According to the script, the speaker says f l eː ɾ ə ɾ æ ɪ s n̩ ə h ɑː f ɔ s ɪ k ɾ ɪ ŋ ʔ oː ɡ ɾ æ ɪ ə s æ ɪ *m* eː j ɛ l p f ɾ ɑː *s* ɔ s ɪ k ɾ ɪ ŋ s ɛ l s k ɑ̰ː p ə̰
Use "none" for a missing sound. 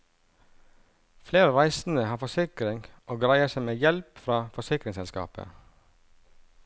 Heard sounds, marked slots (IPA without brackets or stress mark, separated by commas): m, f